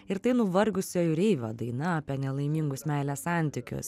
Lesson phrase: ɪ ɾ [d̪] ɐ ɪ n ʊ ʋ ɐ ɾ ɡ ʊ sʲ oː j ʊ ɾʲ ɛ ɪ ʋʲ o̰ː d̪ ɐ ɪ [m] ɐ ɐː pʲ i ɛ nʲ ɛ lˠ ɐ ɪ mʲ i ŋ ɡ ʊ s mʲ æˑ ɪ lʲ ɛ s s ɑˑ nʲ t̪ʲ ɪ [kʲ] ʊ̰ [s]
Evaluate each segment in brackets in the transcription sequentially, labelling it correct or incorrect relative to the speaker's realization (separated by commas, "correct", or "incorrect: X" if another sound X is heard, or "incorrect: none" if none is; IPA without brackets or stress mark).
incorrect: t̪, incorrect: n, correct, correct